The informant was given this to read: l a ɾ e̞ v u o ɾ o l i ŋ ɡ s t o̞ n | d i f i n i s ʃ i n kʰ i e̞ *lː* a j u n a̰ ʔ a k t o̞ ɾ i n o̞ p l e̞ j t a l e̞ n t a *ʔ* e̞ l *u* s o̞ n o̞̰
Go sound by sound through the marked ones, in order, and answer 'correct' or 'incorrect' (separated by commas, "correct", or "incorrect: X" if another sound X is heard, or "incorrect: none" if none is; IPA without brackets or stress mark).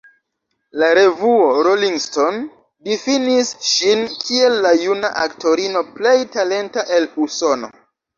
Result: correct, correct, correct